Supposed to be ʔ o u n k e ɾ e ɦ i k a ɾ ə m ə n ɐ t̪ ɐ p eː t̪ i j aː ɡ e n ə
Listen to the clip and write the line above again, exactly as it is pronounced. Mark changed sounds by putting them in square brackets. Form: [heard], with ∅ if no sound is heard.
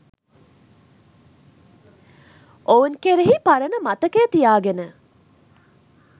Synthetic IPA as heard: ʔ o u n k e ɾ e ɦ i [p] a ɾ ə [n] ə [m] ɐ t̪ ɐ [k] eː t̪ i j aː ɡ e n ə